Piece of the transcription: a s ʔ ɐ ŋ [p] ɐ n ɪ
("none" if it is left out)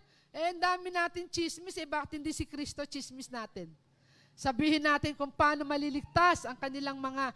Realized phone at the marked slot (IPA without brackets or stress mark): k